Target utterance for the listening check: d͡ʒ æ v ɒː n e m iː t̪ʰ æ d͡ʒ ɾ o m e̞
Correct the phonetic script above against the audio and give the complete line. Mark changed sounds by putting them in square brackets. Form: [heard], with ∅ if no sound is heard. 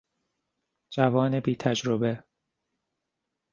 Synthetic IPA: d͡ʒ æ v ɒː n e [b] iː t̪ʰ æ d͡ʒ ɾ o [b] e̞